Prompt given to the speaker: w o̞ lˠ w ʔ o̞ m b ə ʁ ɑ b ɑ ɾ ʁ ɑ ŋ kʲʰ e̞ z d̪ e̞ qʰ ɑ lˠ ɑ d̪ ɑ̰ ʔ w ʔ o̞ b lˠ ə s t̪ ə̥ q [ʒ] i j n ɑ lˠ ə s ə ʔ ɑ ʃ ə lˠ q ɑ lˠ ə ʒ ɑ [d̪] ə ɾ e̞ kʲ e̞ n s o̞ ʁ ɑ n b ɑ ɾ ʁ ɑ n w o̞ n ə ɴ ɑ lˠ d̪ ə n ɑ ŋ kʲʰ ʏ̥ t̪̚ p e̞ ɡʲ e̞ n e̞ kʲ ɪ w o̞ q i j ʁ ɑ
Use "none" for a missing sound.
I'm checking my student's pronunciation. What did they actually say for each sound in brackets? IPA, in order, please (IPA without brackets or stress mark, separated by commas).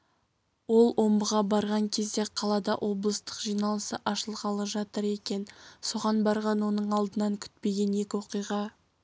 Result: ʒ, t̪